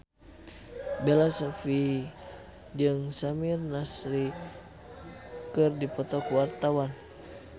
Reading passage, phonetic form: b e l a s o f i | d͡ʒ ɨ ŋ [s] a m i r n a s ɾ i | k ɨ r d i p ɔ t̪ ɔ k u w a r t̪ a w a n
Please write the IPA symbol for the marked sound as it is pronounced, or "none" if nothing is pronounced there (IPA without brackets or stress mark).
s